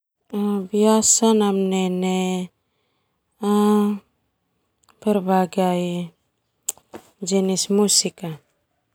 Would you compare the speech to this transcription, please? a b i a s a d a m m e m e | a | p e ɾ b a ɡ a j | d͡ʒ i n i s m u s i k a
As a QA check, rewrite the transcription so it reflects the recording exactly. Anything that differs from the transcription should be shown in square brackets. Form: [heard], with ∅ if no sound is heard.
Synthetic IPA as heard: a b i a s a [n] a m [n] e [n] e | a | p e ɾ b a ɡ a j | d͡ʒ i n i s m u s i k a